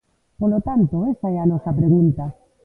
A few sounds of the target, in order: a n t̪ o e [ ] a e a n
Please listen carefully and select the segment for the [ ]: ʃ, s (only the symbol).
s